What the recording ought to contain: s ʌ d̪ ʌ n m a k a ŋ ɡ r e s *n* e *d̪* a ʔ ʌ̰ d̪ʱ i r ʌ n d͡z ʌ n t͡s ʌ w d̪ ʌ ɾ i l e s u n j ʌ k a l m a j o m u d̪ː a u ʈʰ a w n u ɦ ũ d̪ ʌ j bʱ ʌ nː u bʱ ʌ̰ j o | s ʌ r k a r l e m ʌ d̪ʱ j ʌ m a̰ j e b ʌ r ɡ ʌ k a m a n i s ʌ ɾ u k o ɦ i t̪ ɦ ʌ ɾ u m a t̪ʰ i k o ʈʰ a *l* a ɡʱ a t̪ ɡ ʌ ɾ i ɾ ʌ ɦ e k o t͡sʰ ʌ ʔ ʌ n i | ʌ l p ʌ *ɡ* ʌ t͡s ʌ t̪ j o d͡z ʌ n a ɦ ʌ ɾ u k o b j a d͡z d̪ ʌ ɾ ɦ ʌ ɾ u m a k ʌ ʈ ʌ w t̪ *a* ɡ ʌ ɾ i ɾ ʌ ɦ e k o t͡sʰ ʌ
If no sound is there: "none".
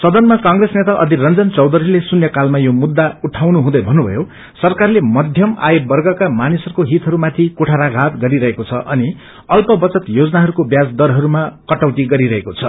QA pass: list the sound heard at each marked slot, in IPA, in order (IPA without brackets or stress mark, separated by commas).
n, t̪, ɾ, b, i